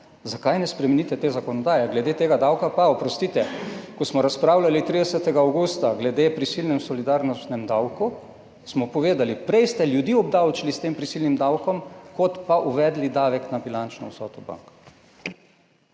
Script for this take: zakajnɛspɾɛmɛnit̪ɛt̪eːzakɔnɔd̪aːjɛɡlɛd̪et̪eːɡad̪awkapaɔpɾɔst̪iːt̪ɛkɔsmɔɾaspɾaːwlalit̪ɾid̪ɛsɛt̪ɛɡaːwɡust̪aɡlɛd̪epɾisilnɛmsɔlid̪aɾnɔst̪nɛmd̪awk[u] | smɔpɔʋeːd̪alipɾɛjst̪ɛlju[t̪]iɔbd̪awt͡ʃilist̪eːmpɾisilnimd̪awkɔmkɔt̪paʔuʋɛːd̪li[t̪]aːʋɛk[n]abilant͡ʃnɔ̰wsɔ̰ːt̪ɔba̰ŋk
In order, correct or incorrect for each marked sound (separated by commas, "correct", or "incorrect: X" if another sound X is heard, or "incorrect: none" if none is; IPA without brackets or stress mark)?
correct, incorrect: d̪, incorrect: d̪, correct